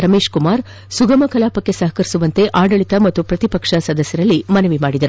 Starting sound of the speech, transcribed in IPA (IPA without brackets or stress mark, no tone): ɾ